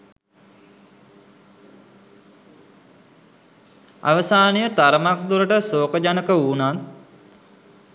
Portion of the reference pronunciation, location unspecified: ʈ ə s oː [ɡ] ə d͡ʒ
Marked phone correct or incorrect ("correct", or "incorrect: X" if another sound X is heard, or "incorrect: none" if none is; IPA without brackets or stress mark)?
incorrect: k